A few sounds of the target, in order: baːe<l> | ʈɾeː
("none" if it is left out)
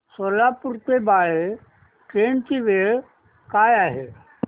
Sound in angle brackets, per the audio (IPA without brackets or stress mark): none